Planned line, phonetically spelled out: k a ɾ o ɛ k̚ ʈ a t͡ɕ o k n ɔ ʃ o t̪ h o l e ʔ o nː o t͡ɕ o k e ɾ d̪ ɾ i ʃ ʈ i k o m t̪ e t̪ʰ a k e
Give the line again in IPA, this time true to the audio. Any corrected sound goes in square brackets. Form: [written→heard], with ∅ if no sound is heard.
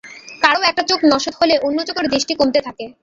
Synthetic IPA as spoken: k a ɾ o ɛ k̚ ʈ a t͡ɕ o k n ɔ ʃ o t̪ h o l e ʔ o nː o t͡ɕ o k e ɾ d̪ ɾ i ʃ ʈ i k o m t̪ e t̪ʰ a k e